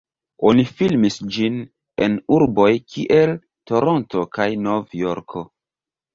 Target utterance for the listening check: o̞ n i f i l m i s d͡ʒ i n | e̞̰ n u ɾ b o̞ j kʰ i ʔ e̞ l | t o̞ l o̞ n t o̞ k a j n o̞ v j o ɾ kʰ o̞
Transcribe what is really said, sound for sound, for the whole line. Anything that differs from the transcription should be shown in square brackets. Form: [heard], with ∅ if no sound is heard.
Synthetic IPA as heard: o̞ n i f i l m i s d͡ʒ i n | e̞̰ n u ɾ b o̞ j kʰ i ʔ e̞ l | t o̞ [ɾ] o̞ n t o̞ k a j n o̞ v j o ɾ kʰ o̞